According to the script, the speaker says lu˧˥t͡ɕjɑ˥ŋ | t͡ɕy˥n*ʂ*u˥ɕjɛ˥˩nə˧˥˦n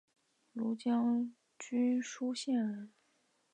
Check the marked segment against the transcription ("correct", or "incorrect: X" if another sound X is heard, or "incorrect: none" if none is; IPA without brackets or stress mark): correct